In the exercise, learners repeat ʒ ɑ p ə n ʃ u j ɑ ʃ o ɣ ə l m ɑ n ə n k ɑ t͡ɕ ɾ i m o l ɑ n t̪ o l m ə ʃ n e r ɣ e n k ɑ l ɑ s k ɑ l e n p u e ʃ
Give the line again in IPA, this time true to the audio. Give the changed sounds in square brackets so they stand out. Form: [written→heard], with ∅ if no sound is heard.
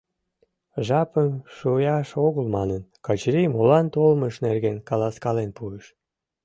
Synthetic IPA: ʒ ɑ p ə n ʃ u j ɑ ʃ o ɣ ə l m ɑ n ə n k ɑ t͡ɕ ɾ i m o l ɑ n t̪ o l m ə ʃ n e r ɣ e n k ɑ l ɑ s k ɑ l e n p u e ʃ